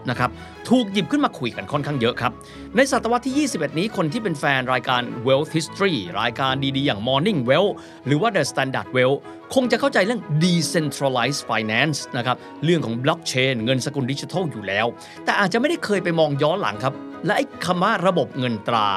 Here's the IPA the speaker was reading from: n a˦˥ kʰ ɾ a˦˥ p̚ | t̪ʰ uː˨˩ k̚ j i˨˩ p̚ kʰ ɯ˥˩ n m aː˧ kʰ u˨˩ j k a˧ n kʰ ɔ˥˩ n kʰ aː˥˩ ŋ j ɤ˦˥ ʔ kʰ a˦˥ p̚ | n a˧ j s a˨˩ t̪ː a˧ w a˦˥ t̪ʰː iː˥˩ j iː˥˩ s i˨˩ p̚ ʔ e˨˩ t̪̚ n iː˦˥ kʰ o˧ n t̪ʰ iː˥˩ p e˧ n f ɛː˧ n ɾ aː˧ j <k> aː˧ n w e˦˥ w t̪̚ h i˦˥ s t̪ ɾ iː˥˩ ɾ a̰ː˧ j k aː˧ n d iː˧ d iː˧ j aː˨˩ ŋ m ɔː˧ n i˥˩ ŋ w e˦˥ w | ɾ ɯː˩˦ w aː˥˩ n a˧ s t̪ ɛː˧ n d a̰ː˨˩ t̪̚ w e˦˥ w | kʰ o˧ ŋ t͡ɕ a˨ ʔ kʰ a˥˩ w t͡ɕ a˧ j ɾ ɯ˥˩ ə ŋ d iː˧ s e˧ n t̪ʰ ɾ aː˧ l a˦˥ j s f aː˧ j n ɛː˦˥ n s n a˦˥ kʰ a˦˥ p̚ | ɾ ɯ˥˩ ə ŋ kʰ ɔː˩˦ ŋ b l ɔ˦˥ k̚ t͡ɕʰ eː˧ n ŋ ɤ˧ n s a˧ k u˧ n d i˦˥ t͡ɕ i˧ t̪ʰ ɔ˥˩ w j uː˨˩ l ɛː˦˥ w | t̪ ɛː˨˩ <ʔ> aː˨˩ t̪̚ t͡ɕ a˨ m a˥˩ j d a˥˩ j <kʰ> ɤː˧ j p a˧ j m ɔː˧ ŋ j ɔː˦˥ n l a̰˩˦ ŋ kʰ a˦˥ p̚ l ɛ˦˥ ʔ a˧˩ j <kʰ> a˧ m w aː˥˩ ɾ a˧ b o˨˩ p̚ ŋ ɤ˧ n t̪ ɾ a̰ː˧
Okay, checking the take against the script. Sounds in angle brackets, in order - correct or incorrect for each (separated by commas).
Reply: correct, correct, correct, correct